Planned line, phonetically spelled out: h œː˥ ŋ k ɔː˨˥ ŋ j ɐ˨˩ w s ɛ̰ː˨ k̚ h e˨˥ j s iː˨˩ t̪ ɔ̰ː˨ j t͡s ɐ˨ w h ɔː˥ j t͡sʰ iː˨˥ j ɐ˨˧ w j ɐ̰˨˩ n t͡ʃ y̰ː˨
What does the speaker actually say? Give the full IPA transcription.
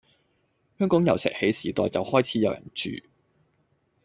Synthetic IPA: h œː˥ ŋ k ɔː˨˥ ŋ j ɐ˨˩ w s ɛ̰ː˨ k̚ h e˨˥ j s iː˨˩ t̪ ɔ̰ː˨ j t͡s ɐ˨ w h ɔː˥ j t͡sʰ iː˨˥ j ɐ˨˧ w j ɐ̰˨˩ n t͡ʃ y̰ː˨